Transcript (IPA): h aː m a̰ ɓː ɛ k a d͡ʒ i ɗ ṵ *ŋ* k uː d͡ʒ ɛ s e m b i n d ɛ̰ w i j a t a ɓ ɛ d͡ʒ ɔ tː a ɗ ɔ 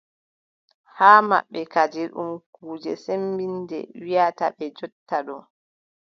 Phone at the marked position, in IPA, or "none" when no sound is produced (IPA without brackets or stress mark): m